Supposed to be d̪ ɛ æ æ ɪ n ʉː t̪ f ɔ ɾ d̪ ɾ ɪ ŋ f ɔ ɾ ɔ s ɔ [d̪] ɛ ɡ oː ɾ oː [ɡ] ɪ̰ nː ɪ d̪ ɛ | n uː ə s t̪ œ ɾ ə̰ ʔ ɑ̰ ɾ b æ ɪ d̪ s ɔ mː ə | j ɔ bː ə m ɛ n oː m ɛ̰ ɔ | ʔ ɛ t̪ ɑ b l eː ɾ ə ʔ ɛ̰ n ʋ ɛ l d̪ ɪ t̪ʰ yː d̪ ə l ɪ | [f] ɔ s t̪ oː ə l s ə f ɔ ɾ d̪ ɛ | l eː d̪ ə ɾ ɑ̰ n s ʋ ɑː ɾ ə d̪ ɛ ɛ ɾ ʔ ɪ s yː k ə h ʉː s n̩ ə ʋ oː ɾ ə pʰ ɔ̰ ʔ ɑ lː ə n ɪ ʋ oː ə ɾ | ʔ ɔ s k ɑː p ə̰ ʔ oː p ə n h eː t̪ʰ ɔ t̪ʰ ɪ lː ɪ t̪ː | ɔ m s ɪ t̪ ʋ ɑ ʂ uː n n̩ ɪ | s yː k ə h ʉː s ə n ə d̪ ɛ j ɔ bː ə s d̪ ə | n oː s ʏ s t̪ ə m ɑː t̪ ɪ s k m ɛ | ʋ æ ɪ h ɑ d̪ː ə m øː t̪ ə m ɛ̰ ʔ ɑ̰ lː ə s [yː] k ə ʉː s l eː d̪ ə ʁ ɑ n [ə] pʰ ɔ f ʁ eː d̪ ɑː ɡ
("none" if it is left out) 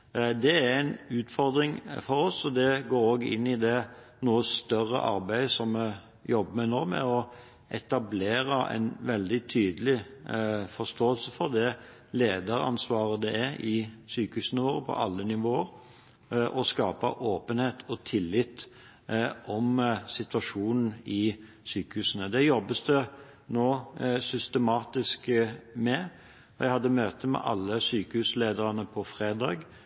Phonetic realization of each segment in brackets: d̪, ɡ, f, yː, ə

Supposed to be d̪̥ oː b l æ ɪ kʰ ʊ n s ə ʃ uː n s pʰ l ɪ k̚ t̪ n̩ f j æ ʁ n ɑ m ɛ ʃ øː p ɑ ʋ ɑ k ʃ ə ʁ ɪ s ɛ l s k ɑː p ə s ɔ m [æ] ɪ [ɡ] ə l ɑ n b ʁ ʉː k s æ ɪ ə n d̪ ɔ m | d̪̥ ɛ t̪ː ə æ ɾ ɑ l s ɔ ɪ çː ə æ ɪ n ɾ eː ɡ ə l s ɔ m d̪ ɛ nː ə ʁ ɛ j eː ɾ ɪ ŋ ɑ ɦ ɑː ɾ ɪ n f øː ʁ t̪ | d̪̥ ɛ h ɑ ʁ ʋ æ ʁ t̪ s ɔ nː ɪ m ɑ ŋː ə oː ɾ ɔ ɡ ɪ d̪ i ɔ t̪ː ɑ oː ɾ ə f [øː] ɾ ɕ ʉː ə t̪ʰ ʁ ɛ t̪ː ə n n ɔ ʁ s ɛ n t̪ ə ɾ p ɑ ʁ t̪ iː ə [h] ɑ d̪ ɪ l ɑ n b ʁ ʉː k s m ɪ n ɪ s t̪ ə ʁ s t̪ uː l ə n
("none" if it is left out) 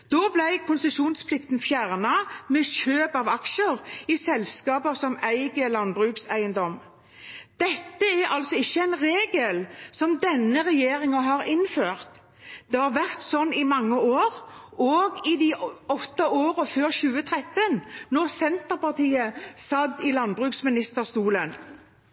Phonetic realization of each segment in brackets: æ, ɡ, øː, s

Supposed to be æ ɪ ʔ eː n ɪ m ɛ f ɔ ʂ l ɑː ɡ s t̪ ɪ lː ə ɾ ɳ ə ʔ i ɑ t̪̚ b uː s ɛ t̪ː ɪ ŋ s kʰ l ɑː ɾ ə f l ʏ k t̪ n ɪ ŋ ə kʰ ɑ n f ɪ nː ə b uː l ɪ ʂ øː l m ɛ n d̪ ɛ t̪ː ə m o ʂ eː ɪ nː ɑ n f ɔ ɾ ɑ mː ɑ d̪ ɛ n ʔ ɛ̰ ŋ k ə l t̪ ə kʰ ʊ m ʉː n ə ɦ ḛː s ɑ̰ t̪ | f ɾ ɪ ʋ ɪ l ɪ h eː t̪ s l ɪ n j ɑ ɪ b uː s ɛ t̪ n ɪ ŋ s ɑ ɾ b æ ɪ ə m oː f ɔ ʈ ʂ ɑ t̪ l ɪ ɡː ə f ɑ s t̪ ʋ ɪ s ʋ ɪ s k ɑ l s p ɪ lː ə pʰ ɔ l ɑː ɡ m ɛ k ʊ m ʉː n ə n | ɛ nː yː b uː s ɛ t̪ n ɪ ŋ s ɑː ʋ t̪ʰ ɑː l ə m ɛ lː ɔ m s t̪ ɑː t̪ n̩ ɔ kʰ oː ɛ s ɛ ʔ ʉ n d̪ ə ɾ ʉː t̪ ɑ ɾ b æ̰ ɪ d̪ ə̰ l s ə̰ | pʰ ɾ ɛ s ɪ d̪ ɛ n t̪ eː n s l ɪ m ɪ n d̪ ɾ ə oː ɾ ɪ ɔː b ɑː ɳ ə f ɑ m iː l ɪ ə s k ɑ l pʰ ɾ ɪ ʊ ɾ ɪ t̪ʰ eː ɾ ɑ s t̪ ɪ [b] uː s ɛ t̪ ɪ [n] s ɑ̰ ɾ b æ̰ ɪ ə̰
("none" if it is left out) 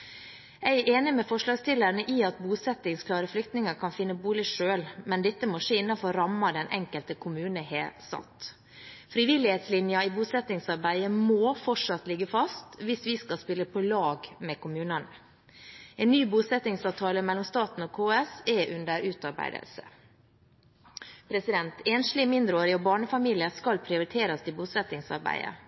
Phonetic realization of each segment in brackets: b, ŋ

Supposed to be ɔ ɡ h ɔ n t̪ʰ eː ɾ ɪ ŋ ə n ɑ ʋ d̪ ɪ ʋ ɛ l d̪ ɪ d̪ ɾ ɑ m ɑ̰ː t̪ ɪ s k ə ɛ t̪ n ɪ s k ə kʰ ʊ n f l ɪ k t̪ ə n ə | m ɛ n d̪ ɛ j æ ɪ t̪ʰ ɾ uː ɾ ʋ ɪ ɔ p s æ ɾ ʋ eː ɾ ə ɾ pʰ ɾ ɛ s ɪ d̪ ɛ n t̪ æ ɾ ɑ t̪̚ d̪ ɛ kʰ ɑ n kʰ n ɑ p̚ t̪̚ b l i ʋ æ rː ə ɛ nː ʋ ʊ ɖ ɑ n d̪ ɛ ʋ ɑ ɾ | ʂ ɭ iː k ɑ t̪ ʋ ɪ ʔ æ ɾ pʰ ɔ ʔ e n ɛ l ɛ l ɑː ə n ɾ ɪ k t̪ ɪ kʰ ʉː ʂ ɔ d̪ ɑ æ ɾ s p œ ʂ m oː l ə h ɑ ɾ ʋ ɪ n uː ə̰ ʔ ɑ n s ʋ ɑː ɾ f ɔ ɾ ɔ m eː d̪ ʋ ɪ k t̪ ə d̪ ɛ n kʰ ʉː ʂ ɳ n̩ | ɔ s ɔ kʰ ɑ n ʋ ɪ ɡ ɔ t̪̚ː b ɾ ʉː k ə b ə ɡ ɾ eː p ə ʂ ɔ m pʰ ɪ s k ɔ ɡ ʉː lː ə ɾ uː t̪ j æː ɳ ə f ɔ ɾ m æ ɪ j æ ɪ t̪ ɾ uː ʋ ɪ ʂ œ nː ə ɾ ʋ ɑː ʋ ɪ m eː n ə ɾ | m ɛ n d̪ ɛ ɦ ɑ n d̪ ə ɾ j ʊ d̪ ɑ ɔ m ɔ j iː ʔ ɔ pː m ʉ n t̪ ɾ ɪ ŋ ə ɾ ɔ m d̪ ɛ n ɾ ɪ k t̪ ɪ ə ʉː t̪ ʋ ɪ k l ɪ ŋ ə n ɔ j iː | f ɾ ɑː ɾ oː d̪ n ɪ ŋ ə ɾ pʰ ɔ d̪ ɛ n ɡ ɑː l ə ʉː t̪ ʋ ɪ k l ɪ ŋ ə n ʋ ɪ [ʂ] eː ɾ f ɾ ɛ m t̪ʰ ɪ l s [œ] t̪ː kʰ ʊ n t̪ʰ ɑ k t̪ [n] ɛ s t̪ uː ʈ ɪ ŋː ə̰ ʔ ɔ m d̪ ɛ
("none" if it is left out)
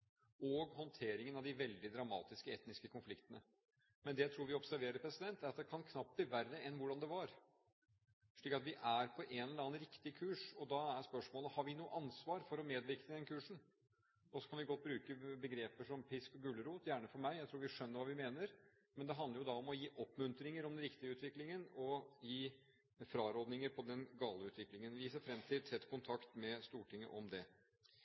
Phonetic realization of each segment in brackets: s, ɛ, m

